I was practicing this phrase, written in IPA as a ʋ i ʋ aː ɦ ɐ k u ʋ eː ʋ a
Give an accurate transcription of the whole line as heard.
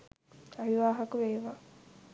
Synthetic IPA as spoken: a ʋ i ʋ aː ɦ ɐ k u ʋ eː ʋ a